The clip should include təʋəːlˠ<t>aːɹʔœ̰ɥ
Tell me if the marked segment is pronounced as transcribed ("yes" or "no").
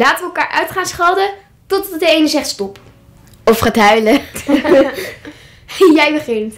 no